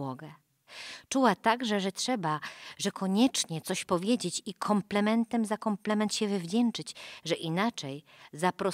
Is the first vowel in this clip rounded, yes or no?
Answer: yes